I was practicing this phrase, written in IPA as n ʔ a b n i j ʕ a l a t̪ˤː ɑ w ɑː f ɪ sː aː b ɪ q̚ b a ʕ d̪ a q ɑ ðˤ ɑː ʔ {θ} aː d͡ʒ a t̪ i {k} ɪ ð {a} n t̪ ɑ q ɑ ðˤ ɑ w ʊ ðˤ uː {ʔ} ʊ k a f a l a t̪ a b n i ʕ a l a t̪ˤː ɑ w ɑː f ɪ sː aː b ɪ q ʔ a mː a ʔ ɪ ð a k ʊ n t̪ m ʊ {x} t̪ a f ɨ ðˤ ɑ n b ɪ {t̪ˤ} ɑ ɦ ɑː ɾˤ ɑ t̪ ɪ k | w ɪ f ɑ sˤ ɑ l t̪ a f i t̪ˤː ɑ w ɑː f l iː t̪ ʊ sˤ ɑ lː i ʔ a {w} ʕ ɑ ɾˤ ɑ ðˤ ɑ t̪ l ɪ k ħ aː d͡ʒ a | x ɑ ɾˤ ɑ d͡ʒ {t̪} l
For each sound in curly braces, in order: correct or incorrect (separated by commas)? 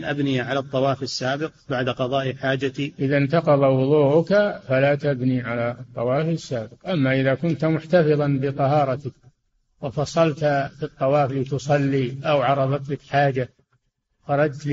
incorrect, incorrect, correct, correct, incorrect, correct, correct, correct